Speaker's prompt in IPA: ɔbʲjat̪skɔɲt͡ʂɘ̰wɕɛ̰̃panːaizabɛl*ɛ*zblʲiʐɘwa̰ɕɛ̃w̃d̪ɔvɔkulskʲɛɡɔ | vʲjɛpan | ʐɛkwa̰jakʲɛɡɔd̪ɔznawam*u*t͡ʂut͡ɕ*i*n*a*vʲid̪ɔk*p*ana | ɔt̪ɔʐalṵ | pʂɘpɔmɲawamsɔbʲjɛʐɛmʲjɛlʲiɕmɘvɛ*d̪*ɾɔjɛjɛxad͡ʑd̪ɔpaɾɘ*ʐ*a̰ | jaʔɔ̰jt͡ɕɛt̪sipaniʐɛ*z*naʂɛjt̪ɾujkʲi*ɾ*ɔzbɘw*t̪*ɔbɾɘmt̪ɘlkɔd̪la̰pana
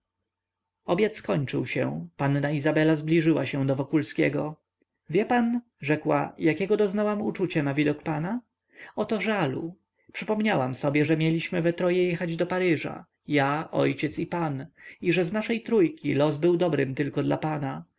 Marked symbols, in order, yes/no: no, yes, no, yes, yes, no, yes, yes, no, no

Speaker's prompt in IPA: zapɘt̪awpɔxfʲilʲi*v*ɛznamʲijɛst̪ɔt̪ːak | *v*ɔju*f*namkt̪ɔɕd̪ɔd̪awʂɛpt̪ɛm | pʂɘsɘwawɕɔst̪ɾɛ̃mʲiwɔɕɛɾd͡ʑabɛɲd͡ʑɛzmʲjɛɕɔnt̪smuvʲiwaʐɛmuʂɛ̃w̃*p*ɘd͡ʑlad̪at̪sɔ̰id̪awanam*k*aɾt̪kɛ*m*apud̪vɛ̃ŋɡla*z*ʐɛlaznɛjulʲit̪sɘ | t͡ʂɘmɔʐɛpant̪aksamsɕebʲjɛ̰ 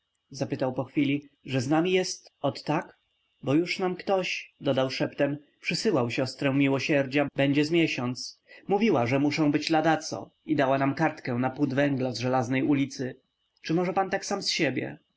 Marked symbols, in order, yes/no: no, no, no, no, yes, no, yes

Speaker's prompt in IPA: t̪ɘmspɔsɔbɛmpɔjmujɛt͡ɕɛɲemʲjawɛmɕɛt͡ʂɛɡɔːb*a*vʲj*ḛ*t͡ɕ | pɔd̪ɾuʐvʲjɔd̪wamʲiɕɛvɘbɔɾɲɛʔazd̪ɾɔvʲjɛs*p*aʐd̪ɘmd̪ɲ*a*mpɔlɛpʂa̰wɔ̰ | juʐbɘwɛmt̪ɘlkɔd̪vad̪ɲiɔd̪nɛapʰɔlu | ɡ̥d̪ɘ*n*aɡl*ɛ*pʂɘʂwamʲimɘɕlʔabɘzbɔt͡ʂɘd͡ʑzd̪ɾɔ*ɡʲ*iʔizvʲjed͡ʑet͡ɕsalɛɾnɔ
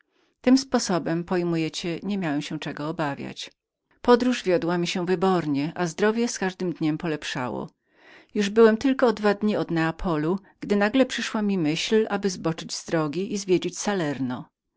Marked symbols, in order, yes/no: yes, no, no, no, yes, yes, yes

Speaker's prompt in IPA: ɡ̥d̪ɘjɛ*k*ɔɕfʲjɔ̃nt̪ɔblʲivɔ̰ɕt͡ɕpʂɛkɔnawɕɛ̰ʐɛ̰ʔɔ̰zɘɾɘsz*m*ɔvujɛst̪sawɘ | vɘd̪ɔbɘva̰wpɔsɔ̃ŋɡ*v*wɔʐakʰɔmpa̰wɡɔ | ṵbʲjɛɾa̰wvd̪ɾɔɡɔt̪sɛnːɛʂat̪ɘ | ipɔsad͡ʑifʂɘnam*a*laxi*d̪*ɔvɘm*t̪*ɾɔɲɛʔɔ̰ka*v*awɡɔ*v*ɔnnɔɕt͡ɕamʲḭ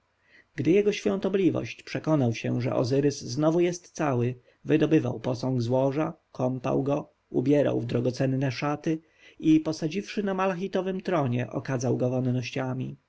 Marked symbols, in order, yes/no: no, no, no, yes, no, yes, no, yes

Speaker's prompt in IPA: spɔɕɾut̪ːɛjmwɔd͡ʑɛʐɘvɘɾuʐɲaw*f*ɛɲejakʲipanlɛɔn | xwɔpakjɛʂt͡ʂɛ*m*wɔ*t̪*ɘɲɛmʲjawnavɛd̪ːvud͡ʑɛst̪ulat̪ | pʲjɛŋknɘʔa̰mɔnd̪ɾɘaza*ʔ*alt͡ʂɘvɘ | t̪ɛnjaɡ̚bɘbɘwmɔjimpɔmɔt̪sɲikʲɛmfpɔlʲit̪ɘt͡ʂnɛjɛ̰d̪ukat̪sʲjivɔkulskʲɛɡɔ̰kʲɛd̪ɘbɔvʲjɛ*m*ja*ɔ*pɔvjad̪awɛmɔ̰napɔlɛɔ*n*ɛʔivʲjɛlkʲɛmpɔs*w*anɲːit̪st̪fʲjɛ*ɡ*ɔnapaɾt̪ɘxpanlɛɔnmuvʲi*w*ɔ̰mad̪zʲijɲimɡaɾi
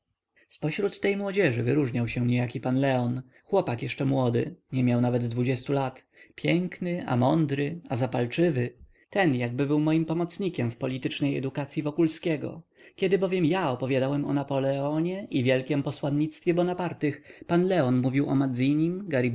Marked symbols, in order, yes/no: no, yes, no, no, yes, yes, no, yes, no, yes

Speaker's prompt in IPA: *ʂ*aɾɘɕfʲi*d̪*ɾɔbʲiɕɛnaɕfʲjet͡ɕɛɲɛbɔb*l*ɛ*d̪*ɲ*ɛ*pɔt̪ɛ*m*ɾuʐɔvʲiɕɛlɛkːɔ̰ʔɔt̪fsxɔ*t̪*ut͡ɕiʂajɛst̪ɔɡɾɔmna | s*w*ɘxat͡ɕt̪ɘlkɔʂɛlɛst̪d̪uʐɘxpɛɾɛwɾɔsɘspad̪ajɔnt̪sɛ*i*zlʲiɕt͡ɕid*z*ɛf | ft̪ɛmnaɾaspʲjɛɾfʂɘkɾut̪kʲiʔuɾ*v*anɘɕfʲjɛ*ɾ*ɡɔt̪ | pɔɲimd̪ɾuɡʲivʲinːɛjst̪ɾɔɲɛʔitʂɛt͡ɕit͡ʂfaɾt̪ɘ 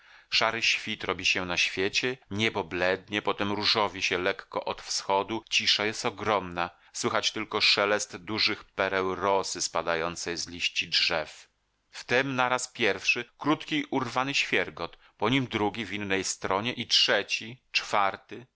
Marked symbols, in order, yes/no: yes, no, yes, yes, yes, yes, no, yes, no, no, yes, yes

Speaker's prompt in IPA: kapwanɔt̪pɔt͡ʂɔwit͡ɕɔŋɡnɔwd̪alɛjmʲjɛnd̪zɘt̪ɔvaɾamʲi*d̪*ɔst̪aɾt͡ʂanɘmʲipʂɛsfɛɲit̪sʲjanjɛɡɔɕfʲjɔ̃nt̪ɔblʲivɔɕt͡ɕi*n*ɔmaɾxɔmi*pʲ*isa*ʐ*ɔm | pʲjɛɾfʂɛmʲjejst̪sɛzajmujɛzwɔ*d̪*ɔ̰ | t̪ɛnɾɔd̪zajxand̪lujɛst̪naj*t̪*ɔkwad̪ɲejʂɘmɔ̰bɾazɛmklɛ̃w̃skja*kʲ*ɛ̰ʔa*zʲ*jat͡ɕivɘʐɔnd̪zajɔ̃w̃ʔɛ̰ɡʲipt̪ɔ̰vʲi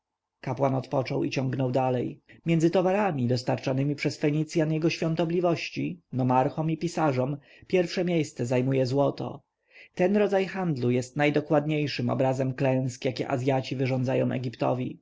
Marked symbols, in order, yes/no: yes, yes, yes, yes, no, no, yes, yes

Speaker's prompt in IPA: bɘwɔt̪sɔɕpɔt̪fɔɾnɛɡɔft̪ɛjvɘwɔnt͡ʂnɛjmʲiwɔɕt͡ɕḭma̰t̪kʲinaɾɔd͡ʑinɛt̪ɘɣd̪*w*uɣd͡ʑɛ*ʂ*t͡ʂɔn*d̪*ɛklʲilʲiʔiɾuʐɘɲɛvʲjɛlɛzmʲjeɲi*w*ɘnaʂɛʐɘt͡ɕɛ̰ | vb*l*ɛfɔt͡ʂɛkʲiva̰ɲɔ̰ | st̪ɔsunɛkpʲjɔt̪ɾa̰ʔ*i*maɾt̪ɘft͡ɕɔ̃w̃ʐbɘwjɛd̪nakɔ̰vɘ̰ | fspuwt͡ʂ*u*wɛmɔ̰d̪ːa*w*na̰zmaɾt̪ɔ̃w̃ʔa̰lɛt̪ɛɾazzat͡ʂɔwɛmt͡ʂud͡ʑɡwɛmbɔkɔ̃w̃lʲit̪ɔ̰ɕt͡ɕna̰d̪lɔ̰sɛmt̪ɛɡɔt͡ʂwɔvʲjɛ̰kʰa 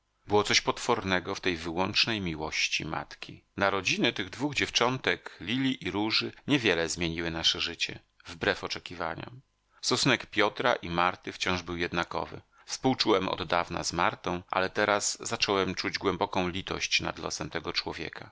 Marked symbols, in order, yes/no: no, no, no, yes, no, yes, yes, no

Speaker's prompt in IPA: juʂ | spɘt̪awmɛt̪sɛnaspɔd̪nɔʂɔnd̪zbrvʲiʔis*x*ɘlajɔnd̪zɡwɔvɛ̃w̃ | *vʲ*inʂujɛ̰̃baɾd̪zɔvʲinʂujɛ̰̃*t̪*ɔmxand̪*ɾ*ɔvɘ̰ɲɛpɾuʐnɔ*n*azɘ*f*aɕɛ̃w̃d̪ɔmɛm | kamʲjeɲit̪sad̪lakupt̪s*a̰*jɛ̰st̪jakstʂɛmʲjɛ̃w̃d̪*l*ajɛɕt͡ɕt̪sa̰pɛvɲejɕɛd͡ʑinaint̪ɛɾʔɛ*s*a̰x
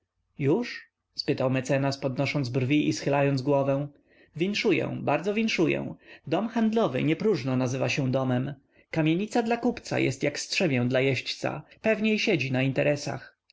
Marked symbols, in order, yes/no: yes, yes, no, no, yes, no, yes, yes, yes

